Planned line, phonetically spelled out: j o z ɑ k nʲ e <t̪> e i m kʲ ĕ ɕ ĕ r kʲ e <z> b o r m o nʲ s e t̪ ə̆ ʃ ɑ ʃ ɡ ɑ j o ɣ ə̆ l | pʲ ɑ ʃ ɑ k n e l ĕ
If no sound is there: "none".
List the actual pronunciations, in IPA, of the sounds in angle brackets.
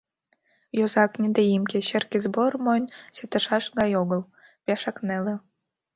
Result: d̪, z

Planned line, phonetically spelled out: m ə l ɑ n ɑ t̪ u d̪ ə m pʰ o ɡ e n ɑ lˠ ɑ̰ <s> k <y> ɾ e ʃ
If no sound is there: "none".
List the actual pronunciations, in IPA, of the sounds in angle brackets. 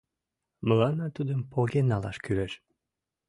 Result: ʃ, y

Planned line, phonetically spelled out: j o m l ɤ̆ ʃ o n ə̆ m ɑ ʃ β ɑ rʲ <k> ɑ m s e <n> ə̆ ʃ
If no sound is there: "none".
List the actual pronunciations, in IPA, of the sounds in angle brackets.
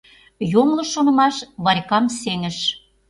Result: k, ŋ

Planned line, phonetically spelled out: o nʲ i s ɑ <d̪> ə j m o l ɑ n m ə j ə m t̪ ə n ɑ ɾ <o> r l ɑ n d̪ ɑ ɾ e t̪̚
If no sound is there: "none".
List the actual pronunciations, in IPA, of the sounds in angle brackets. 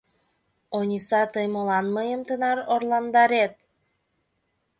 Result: t̪, o

